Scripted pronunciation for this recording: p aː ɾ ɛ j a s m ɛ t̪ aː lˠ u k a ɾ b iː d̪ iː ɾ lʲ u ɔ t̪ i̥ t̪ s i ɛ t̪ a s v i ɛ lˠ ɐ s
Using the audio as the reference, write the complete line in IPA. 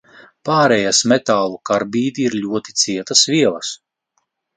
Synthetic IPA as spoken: p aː ɾ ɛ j a s m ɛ t̪ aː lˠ u k a ɾ b iː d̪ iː ɾ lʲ u ɔ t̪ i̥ t̪ s i ɛ t̪ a s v i ɛ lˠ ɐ s